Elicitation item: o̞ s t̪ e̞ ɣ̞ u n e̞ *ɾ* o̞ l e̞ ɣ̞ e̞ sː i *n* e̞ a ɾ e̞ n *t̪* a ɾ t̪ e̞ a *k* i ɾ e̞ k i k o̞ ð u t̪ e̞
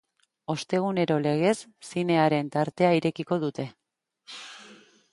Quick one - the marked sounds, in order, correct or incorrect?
correct, correct, correct, incorrect: none

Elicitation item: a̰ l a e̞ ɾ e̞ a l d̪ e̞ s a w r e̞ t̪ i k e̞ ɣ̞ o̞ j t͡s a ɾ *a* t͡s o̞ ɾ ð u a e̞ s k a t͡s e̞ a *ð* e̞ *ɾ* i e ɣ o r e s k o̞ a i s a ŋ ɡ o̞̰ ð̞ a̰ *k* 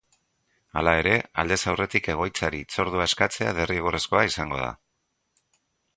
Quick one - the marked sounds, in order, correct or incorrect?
incorrect: i, correct, incorrect: r, incorrect: none

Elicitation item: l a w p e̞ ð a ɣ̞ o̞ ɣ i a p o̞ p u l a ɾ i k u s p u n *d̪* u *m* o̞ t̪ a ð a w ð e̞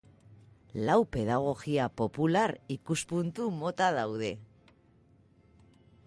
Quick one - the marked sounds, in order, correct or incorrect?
incorrect: t̪, correct

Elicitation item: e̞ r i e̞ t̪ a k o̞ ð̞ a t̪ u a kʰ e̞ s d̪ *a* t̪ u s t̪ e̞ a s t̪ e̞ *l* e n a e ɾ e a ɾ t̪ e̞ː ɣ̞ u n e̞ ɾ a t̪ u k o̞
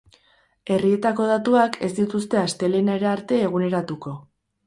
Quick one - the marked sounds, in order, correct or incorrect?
incorrect: i, correct

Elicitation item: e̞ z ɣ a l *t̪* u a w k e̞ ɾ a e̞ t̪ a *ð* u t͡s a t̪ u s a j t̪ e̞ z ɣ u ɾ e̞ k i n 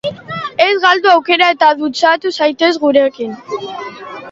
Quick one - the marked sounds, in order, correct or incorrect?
incorrect: d̪, correct

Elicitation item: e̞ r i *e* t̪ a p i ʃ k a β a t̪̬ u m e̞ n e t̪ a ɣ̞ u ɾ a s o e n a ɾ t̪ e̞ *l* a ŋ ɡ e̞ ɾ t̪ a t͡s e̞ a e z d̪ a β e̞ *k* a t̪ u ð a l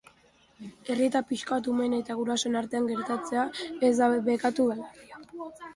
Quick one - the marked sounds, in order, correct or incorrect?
correct, incorrect: none, correct

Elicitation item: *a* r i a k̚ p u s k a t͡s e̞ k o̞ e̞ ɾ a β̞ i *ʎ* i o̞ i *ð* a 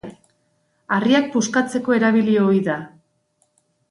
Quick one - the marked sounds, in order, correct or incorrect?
correct, incorrect: l, correct

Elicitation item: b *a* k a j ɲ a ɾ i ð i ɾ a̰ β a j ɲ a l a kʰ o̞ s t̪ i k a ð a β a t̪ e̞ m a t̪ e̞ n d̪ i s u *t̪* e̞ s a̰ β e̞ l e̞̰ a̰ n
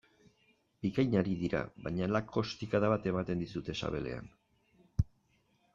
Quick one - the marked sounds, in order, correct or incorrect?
incorrect: i, correct

